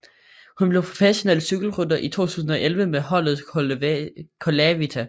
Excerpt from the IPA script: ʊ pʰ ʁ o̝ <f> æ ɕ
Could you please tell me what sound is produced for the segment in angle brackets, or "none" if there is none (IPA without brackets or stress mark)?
f